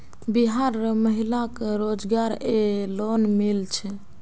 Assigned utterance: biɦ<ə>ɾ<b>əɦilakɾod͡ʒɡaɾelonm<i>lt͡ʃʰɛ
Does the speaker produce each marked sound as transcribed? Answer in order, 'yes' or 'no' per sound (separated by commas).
no, no, yes